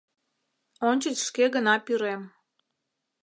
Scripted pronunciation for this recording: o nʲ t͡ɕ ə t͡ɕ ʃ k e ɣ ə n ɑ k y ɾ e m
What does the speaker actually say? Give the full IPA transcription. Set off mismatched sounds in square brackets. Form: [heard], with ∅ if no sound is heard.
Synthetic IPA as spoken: o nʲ t͡ɕ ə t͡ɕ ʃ k e ɣ ə n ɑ [p] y ɾ e m